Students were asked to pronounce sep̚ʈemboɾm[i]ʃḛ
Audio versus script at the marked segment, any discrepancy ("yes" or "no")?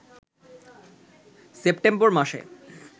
yes